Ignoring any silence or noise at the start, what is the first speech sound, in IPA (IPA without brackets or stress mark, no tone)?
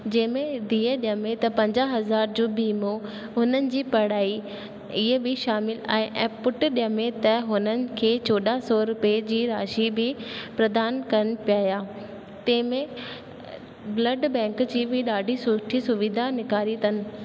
d͡ʑ